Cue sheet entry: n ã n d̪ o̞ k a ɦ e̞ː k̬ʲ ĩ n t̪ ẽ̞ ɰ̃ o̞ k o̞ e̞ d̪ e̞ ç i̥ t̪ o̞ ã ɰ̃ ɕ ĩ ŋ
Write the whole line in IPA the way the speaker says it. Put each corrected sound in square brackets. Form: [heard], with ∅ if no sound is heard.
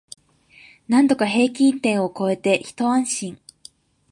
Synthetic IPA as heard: n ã n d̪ o̞ k a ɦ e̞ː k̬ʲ ĩ n t̪ ẽ̞ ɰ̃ o̞ k o̞ e̞ [t̪] e̞ ç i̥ t̪ o̞ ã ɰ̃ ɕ ĩ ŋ